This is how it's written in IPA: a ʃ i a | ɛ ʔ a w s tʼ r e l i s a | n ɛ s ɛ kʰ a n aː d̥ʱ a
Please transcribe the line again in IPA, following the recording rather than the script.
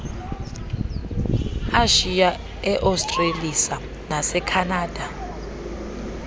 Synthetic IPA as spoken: a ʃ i a | ɛ ʔ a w s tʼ r e l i s a | n a s ɛ kʰ a n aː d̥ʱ a